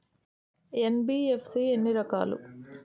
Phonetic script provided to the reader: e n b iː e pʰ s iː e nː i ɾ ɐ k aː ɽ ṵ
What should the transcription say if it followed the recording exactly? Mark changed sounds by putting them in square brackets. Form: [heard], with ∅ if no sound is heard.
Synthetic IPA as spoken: e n b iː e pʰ s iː e nː i ɾ ɐ k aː [l] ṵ